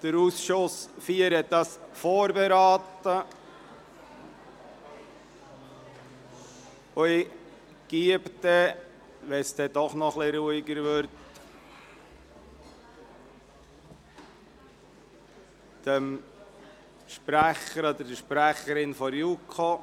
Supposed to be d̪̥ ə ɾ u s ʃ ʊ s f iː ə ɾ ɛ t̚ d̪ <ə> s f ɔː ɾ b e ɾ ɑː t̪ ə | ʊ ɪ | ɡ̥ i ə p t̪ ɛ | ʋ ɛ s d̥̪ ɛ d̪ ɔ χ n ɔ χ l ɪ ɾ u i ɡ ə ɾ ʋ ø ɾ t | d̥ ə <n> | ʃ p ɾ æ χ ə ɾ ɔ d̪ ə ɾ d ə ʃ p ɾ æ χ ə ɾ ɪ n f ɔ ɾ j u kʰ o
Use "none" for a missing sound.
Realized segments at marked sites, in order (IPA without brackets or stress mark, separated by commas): ɑ, m